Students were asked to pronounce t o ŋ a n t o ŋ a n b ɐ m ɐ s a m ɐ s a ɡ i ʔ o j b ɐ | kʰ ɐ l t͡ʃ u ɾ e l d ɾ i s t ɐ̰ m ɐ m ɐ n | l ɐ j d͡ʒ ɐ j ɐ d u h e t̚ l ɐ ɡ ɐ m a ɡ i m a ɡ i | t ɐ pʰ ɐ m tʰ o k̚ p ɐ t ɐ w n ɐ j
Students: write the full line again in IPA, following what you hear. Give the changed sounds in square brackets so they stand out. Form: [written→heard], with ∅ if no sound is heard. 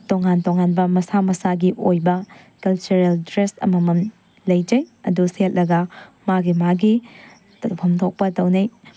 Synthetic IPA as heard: t o ŋ a n t o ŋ a n b ɐ m ɐ s a m ɐ s a ɡ i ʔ o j b ɐ | [kʰ→k] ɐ l t͡ʃ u ɾ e l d ɾ [i→e] s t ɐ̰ m ɐ m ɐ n | l ɐ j d͡ʒ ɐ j ɐ d u [h→s] e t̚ l ɐ ɡ ɐ m a ɡ i m a ɡ i | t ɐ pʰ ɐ m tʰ o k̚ p ɐ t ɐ w n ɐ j